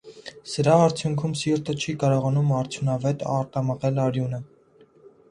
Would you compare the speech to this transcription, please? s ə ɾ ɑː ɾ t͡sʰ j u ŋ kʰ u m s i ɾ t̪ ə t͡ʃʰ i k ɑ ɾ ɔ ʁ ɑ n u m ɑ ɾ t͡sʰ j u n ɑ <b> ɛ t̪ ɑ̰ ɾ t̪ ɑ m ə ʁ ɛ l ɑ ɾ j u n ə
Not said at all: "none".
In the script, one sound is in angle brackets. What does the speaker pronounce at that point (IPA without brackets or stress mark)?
v